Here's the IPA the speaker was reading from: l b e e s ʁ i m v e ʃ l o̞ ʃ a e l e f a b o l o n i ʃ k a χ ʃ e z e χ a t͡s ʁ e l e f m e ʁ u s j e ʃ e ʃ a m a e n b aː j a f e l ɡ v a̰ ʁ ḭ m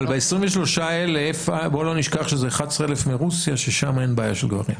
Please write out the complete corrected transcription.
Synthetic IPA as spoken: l b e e s ʁ i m v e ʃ l o̞ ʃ a e l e f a b o l o n i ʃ k a χ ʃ e z e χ a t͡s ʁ e l e f m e ʁ u s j a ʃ e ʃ a m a e n b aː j a ʃ e l ɡ v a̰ ʁ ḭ m

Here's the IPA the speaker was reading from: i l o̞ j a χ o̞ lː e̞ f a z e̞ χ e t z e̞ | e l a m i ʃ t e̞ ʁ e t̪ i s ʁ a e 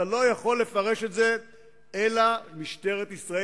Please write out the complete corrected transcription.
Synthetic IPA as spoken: a l o̞ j a χ o̞ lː e̞ f a ʁ e̞ ʃ e t z e̞ | e l a m i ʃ t e̞ ʁ e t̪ i s ʁ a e

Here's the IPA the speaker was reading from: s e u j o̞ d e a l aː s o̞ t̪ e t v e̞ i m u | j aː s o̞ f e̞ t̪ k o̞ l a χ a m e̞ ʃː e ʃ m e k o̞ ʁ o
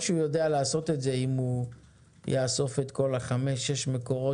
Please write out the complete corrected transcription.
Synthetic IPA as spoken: ʃ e u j o̞ d e a l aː s o̞ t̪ e t z e̞ i m u | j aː s o̞ f e̞ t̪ k o̞ l a χ a m e̞ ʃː e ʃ m e k o̞ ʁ o

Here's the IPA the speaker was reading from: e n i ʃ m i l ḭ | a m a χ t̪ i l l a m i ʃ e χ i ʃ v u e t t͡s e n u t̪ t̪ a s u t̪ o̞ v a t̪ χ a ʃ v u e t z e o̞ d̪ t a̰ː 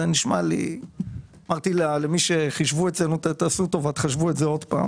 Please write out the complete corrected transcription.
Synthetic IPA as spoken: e n i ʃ m a l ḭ | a m a ʁ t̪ i l l e m i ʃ e χ i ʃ v u e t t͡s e n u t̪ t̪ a s u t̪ o̞ v a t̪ χ a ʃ v u e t z e o̞ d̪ p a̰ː

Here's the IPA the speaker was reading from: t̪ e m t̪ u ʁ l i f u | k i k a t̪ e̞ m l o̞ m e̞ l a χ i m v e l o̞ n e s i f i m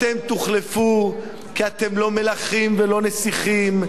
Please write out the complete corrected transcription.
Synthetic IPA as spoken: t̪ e m t̪ u χ l e f u | k i a t̪ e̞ m l o̞ m e̞ l a χ i m v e l o̞ n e s i χ i m

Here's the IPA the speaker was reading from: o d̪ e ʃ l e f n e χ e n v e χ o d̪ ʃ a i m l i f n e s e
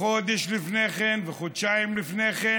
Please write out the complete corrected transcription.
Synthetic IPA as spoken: o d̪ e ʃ l i f n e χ e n v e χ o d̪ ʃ a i m l i f n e χ e

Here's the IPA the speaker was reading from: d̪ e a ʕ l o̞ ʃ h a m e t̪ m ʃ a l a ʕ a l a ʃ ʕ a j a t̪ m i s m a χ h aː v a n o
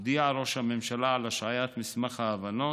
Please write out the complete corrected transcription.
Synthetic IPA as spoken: d̪ i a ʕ ɾ o̞ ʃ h a m e m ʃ a l a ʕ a l a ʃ ʕ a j a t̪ m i s m a χ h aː v a n o

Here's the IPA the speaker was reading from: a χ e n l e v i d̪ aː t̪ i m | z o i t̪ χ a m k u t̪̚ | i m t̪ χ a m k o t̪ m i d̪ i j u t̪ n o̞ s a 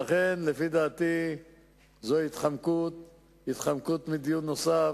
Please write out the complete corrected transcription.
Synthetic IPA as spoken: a χ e n l e f i d̪ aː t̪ i | z o i t̪ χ a m k u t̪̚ | i t̪ χ a m k u t̪ m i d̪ i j u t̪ n o̞ s a

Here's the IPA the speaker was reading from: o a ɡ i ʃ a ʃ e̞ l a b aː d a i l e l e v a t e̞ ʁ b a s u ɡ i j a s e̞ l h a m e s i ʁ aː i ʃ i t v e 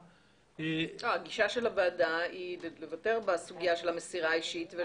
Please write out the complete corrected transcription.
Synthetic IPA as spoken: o a ɡ i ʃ a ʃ e̞ l a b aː d a i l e l e v a t e̞ ʁ b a s u ɡ i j a ʃ e̞ l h a m e s i ʁ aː i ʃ i t v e

